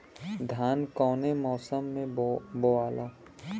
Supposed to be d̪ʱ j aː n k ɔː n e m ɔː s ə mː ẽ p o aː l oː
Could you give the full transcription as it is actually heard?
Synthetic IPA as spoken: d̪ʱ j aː n k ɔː n e m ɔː s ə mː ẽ b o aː l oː